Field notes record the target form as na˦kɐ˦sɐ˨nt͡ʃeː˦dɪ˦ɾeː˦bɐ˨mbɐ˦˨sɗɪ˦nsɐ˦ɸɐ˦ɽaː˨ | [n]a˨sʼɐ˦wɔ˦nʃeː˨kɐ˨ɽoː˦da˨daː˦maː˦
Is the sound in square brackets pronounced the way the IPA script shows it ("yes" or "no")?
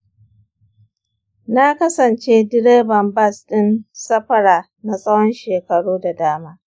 yes